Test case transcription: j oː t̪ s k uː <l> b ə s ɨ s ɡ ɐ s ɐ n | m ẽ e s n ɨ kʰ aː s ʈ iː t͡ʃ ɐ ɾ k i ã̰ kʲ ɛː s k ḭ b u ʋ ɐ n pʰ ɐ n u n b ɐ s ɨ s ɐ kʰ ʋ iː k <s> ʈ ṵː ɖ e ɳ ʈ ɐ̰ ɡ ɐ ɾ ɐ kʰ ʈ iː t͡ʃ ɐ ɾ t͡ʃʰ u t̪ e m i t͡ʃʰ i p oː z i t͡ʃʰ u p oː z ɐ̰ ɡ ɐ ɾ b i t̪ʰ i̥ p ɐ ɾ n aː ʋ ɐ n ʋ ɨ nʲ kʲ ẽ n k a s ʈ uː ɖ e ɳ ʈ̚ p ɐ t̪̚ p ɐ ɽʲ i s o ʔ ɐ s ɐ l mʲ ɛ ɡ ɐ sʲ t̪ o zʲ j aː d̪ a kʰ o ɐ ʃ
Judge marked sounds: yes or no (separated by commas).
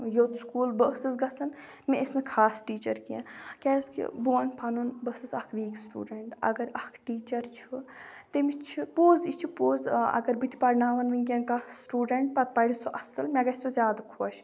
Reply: yes, yes